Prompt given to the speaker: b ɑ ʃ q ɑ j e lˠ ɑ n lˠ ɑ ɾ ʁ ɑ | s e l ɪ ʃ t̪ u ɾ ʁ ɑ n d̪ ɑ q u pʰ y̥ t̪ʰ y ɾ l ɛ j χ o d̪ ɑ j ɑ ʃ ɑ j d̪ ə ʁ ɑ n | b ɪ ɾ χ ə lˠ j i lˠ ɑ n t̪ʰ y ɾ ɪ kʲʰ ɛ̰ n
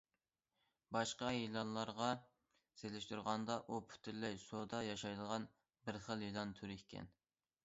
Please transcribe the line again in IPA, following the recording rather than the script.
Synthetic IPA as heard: b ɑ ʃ q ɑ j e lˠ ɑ n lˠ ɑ ɾ ʁ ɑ | s e l ɪ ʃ t̪ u ɾ ʁ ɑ n d̪ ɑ ʔ u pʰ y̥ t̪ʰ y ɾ l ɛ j s o d̪ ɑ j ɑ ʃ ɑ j d̪ ə ʁ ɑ n | b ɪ ɾ χ ə lˠ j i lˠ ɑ n t̪ʰ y ɾ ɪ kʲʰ ɛ̰ n

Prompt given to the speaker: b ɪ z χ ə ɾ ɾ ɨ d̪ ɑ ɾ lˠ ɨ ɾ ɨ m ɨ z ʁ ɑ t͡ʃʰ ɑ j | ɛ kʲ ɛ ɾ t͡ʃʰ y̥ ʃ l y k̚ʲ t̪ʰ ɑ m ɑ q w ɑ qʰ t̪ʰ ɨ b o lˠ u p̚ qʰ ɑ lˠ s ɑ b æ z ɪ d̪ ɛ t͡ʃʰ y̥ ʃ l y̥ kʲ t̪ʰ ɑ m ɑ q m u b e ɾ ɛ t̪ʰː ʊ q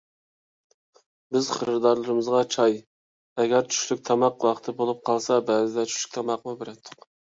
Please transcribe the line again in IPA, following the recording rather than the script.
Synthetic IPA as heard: b ɪ z χ ə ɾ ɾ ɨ d̪ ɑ ɾ lˠ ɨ ɾ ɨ m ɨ z ʁ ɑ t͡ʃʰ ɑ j | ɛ ɡʲ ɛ ɾ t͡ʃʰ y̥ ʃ l y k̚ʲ t̪ʰ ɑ m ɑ q w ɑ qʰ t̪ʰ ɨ b o lˠ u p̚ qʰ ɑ lˠ s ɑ b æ z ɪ d̪ ɛ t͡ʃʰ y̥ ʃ l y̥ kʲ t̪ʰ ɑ m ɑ q m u b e ɾ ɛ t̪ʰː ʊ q

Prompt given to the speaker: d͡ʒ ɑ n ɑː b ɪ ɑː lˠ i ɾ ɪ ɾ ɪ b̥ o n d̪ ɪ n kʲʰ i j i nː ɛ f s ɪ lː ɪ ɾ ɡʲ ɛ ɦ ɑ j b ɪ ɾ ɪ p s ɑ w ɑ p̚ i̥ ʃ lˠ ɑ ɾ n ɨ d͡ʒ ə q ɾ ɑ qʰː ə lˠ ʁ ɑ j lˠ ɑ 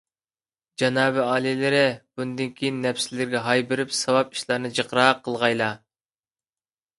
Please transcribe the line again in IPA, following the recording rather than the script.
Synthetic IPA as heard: d͡ʒ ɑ n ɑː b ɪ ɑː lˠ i l ɪ ɾ ɪ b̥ u n d̪ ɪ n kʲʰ i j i nː ɛ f s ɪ l ɪ ɾ ɡʲ ɛ ɦ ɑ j b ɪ ɾ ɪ p s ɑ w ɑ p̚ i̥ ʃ lˠ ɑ ɾ n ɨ d͡ʒ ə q ɾ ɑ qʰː ə lˠ ʁ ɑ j lˠ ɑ

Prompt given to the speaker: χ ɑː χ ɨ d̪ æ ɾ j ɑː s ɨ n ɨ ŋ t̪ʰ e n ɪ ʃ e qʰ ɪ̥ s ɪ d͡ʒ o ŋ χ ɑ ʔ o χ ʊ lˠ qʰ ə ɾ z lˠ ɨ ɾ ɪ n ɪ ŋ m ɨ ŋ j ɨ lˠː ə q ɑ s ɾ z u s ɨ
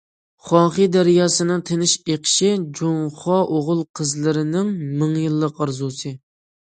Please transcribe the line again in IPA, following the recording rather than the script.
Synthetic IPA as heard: χ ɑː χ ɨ d̪ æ ɾ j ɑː s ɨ n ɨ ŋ t̪ʰ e n ɪ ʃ e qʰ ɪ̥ ʃ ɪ d͡ʒ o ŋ χ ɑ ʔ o ʁ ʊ lˠ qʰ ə z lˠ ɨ ɾ ɪ n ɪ ŋ m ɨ ŋ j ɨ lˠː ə q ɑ ɾ z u s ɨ

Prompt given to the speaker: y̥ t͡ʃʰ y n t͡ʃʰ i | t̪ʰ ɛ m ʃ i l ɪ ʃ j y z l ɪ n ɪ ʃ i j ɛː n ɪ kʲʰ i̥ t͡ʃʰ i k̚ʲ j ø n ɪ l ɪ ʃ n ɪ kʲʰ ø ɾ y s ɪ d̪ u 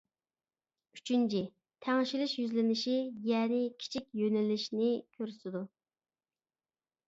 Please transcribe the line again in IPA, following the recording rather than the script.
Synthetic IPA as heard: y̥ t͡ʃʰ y n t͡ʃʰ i | t̪ʰ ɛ ŋ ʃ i l ɪ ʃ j y z l ɪ n ɪ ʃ i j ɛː n ɪ kʲʰ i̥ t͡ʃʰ i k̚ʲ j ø n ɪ l ɪ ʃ n ɪ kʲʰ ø ɾ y s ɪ d̪ u

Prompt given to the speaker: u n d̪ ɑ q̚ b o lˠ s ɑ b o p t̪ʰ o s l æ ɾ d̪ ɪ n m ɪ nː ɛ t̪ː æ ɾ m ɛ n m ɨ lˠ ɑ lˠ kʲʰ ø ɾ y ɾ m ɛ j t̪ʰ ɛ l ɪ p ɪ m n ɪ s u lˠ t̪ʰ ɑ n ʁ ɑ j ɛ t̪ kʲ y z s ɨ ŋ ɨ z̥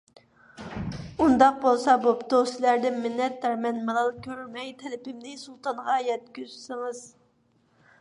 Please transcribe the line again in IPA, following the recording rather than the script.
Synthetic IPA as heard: u n d̪ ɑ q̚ b o lˠ s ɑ b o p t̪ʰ o s l æ ɾ d̪ ɪ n m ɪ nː ɛ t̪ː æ ɾ m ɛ n m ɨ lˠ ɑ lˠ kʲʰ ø ɾ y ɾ m ɛ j t̪ʰ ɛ l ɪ p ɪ m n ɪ s u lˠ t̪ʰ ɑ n ʁ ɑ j ɛ t̪ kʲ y z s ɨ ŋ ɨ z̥

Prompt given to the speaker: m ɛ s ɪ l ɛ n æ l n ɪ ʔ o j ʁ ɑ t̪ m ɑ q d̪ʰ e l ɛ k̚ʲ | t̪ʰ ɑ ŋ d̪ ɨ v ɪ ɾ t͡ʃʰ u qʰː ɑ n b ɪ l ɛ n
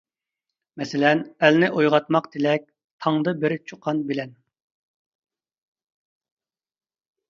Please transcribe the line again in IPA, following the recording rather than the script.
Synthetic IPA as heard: m ɛ s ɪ l ɛ n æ l n ɪ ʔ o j ʁ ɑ t̪ m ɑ q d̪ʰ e l ɛ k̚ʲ | t̪ʰ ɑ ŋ d̪ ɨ b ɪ ɾ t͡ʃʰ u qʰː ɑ n b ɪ l ɛ n

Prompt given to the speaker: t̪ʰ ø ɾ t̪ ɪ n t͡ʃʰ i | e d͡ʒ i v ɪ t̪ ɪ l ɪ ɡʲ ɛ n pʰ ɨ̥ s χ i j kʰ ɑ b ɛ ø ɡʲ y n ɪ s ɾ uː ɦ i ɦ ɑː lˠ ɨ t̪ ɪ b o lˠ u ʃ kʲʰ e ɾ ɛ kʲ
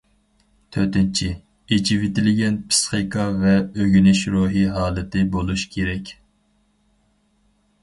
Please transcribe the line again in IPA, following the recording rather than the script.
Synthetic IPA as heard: t̪ʰ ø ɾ t̪ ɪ n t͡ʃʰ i | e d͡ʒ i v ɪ t̪ ɪ l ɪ ɡʲ ɛ n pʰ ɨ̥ s χ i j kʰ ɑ v ɛ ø ɡʲ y n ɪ ʃ ɾ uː ɦ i ɦ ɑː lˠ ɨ t̪ ɪ b o lˠ u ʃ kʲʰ e ɾ ɛ kʲ

